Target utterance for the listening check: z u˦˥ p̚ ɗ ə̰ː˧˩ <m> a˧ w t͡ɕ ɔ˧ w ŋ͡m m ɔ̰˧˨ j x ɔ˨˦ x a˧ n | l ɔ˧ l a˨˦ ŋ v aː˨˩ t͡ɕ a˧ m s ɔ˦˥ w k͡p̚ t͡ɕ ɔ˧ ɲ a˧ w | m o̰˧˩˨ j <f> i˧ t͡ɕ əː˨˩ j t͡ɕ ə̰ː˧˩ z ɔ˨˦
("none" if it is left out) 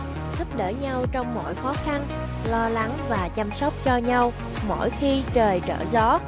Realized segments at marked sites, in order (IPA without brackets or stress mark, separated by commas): ɲ, x